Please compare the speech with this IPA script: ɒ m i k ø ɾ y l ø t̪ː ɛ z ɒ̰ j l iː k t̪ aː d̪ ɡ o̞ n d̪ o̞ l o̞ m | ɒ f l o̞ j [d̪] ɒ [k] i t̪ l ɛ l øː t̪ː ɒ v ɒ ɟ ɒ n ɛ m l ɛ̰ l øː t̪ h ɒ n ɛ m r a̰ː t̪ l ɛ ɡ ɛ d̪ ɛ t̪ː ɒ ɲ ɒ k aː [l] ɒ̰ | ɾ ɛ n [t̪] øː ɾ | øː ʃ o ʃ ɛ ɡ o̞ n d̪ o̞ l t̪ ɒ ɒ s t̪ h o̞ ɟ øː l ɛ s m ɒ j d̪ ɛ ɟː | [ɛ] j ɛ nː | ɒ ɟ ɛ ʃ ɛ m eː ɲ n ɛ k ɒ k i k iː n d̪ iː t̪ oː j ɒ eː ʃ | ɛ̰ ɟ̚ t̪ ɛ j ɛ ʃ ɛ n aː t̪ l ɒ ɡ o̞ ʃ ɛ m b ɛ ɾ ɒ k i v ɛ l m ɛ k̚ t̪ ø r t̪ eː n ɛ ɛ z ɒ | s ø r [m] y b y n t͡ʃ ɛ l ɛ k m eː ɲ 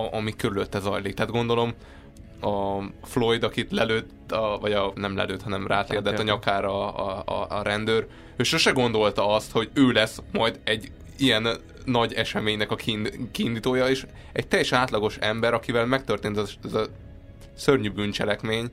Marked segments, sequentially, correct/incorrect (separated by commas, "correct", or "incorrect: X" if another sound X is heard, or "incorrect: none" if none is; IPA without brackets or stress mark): correct, correct, incorrect: ɾ, incorrect: d̪, incorrect: i, incorrect: ɲ